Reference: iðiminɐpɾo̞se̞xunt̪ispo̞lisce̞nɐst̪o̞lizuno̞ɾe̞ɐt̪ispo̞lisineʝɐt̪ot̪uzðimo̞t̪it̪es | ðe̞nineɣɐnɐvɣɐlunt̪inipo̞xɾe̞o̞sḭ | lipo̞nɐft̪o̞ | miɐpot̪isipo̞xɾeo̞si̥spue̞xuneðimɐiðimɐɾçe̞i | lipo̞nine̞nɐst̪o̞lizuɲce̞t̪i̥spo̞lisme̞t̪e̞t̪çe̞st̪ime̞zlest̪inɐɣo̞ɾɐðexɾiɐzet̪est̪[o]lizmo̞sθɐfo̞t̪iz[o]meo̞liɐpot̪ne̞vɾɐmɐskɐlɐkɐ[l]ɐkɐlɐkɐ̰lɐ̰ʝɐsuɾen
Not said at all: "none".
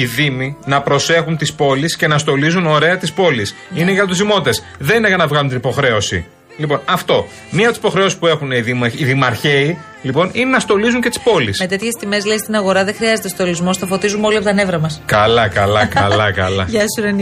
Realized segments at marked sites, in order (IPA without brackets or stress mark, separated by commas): o, u, l